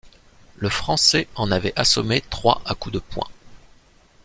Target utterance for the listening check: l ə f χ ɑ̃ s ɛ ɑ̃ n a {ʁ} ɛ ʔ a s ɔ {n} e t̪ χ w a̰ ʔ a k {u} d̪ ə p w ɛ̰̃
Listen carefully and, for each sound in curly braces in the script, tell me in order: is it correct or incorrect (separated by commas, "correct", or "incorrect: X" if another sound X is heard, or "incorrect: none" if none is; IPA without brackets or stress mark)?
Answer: incorrect: v, incorrect: m, correct